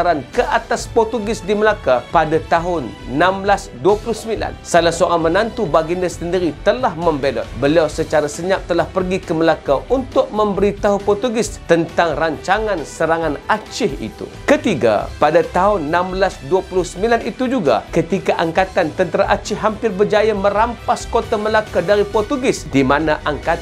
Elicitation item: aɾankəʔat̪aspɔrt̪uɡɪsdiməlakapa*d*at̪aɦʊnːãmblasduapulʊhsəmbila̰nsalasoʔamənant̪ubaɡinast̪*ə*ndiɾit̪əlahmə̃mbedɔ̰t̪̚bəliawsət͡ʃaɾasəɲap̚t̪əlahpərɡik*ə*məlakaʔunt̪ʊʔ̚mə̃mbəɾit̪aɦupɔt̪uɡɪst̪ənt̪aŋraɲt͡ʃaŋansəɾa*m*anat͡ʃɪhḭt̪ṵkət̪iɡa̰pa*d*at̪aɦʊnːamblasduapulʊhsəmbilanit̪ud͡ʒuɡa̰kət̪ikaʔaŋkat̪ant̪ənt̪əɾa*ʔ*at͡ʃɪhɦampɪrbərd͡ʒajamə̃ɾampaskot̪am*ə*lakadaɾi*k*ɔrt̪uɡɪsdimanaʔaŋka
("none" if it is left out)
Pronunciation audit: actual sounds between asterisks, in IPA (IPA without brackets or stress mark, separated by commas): d, ə, ə, ŋ, d, ʔ, ə, p